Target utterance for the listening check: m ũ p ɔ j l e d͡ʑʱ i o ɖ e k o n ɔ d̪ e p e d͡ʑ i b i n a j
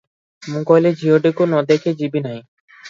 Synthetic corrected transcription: m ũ k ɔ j l e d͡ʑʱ i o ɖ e k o n ɔ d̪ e k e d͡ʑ i b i n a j